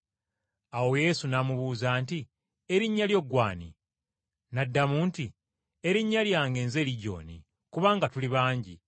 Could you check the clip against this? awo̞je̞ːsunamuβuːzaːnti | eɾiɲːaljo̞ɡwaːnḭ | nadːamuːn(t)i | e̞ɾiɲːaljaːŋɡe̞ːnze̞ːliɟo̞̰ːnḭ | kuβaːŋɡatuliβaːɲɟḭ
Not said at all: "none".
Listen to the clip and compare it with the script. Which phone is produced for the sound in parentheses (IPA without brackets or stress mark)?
t